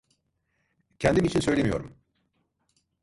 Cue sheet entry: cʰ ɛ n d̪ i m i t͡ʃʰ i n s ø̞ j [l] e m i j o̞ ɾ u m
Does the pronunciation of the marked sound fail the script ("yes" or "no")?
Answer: no